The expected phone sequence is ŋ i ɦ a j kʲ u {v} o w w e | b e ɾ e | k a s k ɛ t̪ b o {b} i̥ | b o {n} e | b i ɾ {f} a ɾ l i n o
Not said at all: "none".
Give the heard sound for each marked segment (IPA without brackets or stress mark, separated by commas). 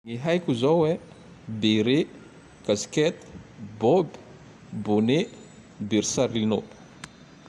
z, b, n, s